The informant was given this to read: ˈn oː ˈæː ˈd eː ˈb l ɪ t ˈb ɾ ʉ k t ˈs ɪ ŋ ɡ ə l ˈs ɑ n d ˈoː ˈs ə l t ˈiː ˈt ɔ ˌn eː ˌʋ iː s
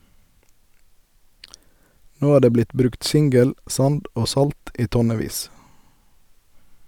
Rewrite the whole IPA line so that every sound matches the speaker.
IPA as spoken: ˈn oː ˈæː ˈd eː ˈb l ɪ t ˈb ɾ ʉ k t ˈs ɪ ŋ ɡ ə l ˈs ɑ n d ˈoː ˈs ɑ l t ˈiː ˈt ɔ ˌn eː ˌʋ iː s